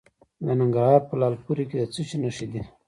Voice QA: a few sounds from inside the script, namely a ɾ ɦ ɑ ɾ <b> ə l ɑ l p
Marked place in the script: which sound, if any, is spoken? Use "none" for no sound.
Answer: p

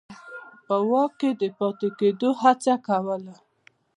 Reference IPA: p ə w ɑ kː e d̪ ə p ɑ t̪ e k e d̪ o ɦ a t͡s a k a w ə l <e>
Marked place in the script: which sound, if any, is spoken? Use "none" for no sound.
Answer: a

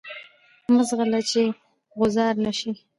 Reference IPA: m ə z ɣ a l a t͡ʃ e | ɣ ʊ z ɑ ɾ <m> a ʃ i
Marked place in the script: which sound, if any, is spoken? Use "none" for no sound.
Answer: n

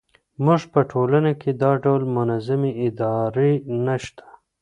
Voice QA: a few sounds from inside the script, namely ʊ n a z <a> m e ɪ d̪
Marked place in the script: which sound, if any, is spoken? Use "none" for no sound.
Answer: a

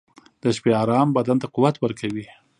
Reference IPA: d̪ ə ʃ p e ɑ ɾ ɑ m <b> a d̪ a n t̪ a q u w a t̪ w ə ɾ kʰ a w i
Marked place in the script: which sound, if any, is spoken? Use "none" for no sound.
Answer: b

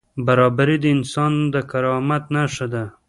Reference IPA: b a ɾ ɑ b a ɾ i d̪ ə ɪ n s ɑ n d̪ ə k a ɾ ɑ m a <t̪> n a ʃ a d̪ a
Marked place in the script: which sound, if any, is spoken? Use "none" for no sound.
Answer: t̪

